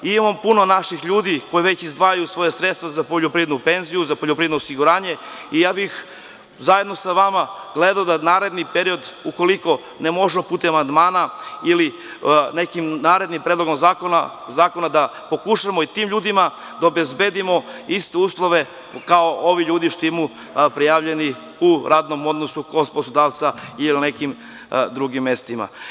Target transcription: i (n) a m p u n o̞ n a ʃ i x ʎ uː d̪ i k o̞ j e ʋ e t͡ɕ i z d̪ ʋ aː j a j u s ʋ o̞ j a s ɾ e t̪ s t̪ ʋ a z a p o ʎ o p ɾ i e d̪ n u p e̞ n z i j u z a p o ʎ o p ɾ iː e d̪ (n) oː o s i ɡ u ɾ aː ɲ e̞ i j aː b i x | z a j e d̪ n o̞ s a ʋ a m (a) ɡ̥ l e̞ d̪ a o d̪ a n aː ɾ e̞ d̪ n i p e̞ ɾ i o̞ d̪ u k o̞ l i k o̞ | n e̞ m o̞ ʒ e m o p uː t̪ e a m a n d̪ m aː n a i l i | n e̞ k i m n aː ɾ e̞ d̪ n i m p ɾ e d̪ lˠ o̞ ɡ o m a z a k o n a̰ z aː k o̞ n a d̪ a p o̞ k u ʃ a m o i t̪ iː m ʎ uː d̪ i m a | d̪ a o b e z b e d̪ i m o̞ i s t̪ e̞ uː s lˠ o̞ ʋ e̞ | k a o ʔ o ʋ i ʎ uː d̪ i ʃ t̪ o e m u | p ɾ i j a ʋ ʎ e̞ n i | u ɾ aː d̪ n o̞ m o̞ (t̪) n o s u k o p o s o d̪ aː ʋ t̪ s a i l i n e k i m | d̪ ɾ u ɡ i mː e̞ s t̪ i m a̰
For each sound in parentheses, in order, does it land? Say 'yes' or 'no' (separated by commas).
no, yes, yes, no